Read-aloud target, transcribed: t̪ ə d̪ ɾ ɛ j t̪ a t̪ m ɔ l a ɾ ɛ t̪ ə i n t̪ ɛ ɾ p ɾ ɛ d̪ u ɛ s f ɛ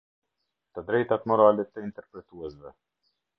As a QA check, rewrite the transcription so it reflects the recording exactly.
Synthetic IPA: t̪ ə d̪ ɾ ɛ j t̪ a t̪ m ɔ ɾ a l ɛ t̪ ə i n t̪ ɛ ɾ p ɾ ɛ t̪ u ɛ s v ɛ